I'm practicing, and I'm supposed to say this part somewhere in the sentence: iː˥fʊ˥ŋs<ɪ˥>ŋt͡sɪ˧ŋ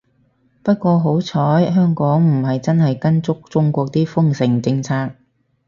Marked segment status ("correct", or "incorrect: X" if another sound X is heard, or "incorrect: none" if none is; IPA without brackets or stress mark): incorrect: ɪ˨˩